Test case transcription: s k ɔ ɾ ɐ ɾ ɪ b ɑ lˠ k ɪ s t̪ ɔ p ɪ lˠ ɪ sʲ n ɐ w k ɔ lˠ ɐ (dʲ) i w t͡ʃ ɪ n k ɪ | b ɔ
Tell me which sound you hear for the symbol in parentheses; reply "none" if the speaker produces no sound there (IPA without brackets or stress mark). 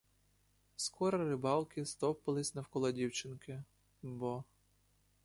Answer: dʲ